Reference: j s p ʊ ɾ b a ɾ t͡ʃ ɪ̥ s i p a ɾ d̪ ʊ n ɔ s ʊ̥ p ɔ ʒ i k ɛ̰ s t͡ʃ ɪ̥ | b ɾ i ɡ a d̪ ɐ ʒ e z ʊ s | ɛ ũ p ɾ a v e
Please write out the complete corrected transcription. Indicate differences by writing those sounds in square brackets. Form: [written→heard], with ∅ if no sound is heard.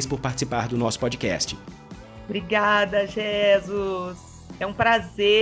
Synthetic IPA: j s p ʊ ɾ [b→p] a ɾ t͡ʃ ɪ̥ s i p a ɾ d̪ ʊ n ɔ s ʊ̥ p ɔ [ʒ→d͡ʒ] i k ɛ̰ s t͡ʃ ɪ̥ | b ɾ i ɡ a d̪ ɐ ʒ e z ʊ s | ɛ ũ p ɾ a [v→z] e